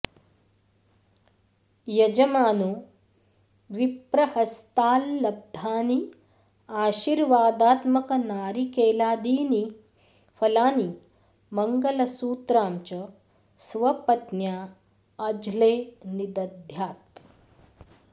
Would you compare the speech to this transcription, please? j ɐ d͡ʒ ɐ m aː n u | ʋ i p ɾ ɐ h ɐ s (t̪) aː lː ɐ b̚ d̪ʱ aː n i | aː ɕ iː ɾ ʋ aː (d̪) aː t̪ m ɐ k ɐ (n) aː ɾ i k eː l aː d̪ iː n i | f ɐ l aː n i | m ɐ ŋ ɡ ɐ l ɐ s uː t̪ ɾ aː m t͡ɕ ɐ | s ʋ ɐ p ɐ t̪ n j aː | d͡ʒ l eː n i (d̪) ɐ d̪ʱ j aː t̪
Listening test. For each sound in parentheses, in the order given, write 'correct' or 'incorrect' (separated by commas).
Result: correct, correct, correct, correct